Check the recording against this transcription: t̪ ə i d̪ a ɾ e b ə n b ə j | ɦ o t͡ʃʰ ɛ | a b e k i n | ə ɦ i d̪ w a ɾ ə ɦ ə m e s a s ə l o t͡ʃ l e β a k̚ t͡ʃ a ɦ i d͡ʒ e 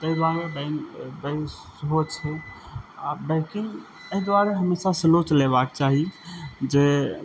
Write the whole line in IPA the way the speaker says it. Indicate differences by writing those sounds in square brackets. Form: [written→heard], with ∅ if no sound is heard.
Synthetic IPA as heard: t̪ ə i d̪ a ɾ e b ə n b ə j | ɦ o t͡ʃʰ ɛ | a b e k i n | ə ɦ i d̪ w a ɾ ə ɦ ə m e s a s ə l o t͡ʃ l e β a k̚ t͡ʃ a ɦ i d͡ʒ e